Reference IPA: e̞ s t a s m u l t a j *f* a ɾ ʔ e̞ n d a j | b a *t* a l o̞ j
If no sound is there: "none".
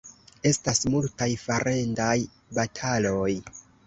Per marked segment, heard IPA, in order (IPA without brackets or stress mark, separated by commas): f, tʰ